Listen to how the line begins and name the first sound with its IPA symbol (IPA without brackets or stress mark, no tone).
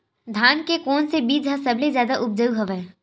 d̪ʱ